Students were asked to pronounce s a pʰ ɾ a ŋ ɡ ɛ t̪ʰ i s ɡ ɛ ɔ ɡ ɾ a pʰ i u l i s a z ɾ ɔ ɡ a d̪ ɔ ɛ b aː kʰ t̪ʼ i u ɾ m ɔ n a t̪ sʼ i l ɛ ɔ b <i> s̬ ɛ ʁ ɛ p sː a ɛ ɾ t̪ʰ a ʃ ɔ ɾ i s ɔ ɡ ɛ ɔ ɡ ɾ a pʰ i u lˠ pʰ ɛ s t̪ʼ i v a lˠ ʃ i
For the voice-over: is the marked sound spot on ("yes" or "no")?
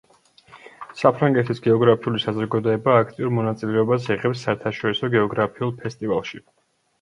no